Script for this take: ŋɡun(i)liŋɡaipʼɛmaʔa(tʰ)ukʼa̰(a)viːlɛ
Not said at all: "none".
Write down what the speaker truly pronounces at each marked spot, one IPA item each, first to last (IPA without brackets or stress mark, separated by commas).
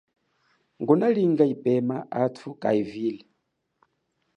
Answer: a, tʰ, i